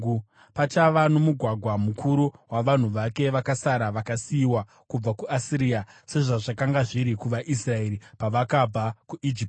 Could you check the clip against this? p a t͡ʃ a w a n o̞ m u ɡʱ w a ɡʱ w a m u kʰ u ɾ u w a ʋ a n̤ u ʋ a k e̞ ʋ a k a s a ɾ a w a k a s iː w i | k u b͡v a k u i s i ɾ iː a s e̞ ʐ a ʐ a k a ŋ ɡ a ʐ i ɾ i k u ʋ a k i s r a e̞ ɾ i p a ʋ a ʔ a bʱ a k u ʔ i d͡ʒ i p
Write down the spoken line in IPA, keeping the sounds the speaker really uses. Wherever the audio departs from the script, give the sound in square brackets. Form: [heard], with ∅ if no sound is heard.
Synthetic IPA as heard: p a t͡ʃ a [ʋ] a n o̞ m u ɡʱ w a ɡʱ w a m u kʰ u ɾ u w a ʋ a n̤ u ʋ a k e̞ ʋ a k a s a ɾ a [ʋ] a k a s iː w [a] | k u b͡v a k u [a] s i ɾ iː a s e̞ ʐ a ʐ a k a ŋ ɡ a ʐ i ɾ i k u ʋ a [ʔ] i s r a e̞ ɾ i p a ʋ a [k] a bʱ a k u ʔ i d͡ʒ i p